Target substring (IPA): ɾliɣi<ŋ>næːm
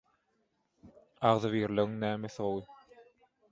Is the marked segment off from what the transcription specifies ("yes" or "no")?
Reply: no